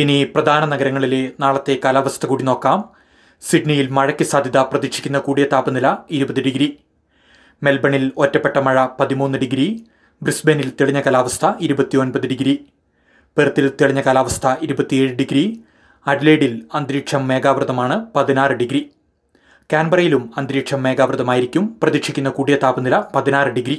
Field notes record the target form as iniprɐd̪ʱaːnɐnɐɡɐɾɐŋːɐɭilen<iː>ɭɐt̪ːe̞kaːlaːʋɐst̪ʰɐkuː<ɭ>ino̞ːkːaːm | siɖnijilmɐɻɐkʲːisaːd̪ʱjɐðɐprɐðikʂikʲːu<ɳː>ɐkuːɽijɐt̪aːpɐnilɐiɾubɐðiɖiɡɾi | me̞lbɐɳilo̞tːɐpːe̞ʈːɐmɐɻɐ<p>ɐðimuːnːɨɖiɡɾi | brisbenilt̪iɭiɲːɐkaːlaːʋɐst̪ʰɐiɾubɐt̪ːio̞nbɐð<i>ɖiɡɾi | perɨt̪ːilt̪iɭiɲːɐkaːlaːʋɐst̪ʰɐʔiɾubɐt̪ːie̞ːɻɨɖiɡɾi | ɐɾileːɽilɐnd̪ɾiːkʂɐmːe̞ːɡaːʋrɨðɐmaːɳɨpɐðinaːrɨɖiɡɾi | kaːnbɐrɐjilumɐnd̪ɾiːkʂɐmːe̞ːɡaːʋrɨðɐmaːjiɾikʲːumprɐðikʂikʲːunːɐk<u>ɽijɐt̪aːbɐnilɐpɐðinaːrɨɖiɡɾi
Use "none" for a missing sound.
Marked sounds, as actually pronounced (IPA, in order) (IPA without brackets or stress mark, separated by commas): aː, ɽ, nː, p, i, uː